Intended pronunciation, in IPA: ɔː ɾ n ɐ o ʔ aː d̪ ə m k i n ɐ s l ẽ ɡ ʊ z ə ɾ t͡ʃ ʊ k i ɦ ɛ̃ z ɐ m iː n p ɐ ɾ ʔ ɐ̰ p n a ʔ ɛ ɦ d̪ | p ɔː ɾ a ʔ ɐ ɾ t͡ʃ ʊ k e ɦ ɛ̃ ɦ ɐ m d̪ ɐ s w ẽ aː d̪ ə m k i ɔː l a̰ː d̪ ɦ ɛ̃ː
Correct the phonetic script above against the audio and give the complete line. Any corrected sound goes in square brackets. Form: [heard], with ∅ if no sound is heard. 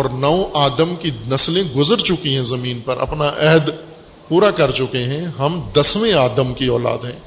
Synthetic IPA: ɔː ɾ n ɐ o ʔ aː d̪ ə m k i n ɐ s l ẽ ɡ ʊ z ə ɾ t͡ʃ ʊ k i ɦ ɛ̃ z ɐ m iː n p ɐ ɾ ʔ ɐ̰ p n a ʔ ɛ ɦ d̪ | p [uː] ɾ a [k] ɐ ɾ t͡ʃ ʊ k e ɦ ɛ̃ ɦ ɐ m d̪ ɐ s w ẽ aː d̪ ə m k i ɔː l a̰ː d̪ ɦ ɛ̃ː